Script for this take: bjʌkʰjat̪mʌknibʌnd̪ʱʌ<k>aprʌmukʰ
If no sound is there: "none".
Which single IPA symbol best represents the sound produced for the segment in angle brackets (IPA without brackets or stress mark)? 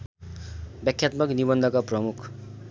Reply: k